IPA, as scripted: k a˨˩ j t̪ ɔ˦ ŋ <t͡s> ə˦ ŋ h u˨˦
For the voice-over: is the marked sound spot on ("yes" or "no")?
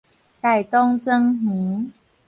yes